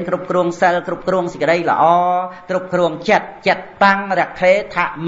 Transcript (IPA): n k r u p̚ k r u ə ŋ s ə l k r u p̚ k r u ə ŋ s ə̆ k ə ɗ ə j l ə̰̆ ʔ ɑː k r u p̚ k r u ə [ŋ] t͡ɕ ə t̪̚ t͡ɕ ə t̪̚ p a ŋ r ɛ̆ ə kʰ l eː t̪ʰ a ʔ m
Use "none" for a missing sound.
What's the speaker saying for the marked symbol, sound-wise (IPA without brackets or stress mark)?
ŋ